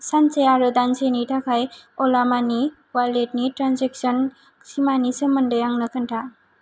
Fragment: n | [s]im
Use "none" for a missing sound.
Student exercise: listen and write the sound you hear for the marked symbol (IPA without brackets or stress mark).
s